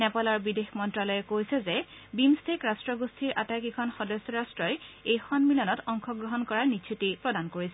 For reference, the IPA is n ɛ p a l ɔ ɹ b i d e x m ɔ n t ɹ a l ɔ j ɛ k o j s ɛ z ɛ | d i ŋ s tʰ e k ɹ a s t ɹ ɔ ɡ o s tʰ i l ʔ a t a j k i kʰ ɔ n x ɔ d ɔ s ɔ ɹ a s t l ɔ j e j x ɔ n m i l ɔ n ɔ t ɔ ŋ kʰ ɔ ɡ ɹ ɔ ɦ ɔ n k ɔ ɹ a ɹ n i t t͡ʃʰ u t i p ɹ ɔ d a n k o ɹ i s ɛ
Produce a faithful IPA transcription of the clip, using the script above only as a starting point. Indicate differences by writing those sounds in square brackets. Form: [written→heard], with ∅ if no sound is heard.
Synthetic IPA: n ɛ p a l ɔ ɹ b i d e x m ɔ n t ɹ a l ɔ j ɛ k o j s ɛ z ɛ | [d→b] i [ŋ→m] s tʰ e k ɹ a s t ɹ ɔ ɡ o s tʰ i [l→ɹ] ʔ a t a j k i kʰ ɔ n x ɔ d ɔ s ɔ ɹ a s t [l→ɹ] ɔ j e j x ɔ n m i l ɔ n ɔ t ɔ ŋ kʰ ɔ ɡ ɹ ɔ ɦ ɔ n k ɔ ɹ a ɹ n i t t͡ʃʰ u t i p ɹ ɔ d a n k o ɹ i s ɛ

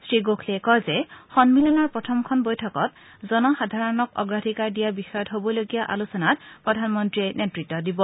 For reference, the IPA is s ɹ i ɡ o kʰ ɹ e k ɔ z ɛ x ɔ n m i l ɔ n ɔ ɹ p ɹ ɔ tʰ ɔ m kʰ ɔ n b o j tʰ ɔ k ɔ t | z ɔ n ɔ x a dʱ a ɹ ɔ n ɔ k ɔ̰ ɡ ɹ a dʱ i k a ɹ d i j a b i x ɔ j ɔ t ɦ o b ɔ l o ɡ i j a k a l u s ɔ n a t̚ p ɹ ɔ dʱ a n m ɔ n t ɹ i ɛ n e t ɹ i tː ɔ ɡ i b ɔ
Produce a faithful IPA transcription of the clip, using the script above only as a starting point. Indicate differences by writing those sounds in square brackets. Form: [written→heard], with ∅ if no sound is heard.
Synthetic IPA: s ɹ i ɡ o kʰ [ɹ→l] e k ɔ z ɛ x ɔ n m i l ɔ n ɔ ɹ p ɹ ɔ tʰ ɔ m kʰ ɔ n b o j tʰ ɔ k ɔ t | z ɔ n ɔ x a dʱ a ɹ ɔ n ɔ k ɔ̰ ɡ ɹ a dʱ i k a ɹ d i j a b i x ɔ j ɔ t ɦ o b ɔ l o ɡ i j a [k→ʔ] a l u s ɔ n a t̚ p ɹ ɔ dʱ a n m ɔ n t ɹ i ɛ n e t ɹ i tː ɔ [ɡ→d] i b ɔ

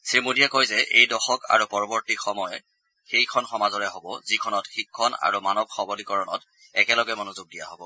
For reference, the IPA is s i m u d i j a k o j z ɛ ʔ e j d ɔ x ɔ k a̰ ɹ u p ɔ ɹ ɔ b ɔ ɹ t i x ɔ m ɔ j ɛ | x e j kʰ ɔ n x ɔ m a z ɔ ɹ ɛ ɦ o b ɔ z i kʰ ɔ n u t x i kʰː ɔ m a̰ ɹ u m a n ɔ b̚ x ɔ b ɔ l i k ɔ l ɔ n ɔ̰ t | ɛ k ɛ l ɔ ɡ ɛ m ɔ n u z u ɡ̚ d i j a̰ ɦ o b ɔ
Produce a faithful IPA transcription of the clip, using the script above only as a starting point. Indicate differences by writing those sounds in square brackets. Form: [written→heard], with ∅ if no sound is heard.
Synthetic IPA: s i m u d i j a k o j z ɛ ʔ e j d ɔ x ɔ k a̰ ɹ u p ɔ ɹ ɔ b ɔ ɹ t i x ɔ m ɔ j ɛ | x e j kʰ ɔ n x ɔ m a z ɔ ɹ ɛ ɦ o b ɔ z i kʰ ɔ n [u→ɔ] t x i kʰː ɔ [m→n] a̰ ɹ u m a n ɔ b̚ x ɔ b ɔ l i k ɔ [l→ɹ] ɔ n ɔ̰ t | ɛ k ɛ l ɔ ɡ ɛ m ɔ n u z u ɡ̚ d i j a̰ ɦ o b ɔ

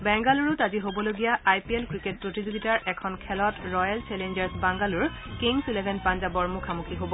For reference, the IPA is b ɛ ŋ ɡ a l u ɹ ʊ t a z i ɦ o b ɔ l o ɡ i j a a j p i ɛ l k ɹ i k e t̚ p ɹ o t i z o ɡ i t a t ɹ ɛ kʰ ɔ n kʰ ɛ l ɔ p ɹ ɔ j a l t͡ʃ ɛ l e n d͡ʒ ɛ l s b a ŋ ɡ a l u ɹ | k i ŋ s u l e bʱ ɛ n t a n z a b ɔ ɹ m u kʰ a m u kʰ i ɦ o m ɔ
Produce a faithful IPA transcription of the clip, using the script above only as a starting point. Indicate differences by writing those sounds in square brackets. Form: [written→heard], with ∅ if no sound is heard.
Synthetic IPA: b ɛ ŋ ɡ a l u ɹ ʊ t a z i ɦ o b ɔ l o ɡ i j a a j p i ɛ l k ɹ i k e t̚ p ɹ o t i z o ɡ i t a [t→∅] ɹ ɛ kʰ ɔ n kʰ ɛ l ɔ [p→t] ɹ ɔ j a l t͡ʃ ɛ l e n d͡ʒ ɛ [l→ɹ] s b a ŋ ɡ a l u ɹ | k i ŋ s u l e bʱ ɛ n [t→p] a n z a b ɔ ɹ m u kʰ a m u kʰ i ɦ o [m→b] ɔ

